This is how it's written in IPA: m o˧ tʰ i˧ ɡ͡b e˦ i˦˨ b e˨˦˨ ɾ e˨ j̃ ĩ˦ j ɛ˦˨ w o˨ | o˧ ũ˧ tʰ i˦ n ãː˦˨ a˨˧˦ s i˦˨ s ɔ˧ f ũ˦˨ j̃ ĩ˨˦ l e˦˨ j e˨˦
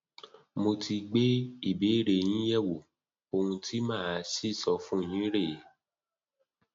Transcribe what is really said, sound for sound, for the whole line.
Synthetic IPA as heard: m o˧ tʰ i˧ ɡ͡b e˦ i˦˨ b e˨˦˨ ɾ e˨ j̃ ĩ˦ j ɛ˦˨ w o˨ | o˧ ũ˧ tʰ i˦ m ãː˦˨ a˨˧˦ s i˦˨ s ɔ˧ f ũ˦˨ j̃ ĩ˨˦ ɾ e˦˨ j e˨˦